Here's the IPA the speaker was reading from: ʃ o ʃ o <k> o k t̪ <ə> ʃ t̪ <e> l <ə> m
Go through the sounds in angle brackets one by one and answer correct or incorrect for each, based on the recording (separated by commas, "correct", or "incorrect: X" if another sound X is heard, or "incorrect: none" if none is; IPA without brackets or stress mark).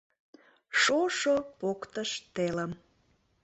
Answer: incorrect: p, correct, correct, correct